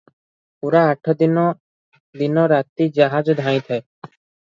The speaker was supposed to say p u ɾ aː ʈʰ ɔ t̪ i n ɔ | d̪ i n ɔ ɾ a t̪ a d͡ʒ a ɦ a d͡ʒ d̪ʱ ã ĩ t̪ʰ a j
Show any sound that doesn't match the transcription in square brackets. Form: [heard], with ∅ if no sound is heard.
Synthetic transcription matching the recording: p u ɾ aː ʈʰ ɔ [d̪] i n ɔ | d̪ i n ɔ ɾ a t̪ [i] d͡ʒ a ɦ a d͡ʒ d̪ʱ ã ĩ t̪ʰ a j